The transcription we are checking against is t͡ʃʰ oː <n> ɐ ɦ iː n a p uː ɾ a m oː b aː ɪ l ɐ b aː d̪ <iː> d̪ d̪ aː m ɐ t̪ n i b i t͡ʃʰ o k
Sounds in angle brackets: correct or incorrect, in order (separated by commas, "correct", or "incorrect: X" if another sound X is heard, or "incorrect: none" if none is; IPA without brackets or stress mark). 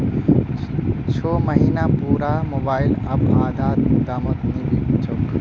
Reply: incorrect: m, incorrect: aː